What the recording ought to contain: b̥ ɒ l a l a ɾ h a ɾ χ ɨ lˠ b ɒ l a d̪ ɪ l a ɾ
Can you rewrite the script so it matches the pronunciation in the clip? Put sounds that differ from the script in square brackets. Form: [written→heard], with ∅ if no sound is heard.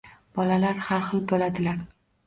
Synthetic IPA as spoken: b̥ ɒ l a l a ɾ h a ɾ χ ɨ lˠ b [ɒ→o] l a d̪ ɪ l a ɾ